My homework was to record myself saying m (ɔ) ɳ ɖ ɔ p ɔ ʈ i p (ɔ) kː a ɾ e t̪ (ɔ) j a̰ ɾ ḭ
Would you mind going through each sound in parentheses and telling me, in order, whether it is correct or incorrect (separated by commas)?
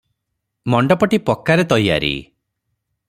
correct, correct, correct